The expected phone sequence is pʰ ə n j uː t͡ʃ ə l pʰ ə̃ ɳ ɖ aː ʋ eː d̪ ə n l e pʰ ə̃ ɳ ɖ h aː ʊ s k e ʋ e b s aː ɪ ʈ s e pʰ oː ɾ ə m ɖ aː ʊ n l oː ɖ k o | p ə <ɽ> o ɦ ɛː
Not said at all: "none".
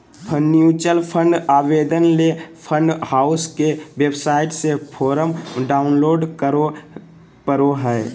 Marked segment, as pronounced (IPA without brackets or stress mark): ɾ